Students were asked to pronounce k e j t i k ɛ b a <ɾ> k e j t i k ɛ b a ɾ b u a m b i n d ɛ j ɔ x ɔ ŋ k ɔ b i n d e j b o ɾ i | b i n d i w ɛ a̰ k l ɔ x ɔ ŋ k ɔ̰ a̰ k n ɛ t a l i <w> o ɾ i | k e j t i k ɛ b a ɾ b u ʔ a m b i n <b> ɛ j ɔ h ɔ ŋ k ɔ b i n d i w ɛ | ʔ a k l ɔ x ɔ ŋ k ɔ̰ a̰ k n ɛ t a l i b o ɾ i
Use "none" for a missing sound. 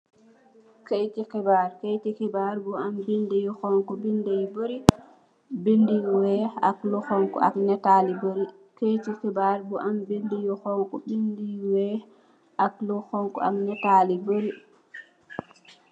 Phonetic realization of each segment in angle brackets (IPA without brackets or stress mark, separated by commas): ɾ, b, d